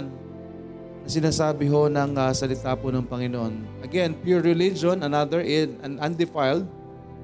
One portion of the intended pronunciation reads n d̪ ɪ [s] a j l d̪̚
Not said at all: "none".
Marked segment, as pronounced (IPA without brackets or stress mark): f